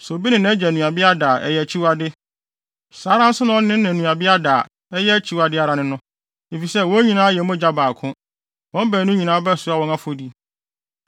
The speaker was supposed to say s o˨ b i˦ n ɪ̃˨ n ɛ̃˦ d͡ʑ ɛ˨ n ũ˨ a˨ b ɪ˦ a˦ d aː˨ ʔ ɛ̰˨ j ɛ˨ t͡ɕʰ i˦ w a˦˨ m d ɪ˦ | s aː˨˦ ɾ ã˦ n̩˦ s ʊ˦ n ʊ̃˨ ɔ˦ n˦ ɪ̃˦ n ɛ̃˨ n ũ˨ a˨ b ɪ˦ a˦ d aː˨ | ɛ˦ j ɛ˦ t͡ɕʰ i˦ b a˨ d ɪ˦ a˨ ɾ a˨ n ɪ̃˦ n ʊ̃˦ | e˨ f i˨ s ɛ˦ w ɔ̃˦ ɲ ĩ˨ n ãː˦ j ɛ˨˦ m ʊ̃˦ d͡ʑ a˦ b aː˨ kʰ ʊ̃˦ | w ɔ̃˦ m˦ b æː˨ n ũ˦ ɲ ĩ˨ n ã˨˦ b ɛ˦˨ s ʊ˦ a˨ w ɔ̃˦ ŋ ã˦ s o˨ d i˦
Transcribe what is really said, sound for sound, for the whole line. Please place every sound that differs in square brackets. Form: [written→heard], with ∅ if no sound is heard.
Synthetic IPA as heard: s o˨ b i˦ n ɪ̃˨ n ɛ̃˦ d͡ʑ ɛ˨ n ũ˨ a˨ b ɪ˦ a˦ d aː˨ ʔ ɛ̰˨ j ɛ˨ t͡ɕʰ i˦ w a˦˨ [m→∅] d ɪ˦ | s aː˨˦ ɾ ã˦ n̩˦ s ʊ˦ n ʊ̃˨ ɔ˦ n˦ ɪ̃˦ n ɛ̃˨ n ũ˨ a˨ b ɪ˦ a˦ d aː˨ | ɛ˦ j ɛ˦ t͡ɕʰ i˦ [b→w] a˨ d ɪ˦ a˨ ɾ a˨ n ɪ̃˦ n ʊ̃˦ | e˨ f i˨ s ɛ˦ w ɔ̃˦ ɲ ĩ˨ n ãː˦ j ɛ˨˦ m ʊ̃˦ d͡ʑ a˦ b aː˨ kʰ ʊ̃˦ | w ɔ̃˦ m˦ b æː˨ n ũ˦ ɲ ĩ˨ n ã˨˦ b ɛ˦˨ s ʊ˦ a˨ w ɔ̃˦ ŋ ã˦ [s→f] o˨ d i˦